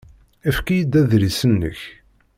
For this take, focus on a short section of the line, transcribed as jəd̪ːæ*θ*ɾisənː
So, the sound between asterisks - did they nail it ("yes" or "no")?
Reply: no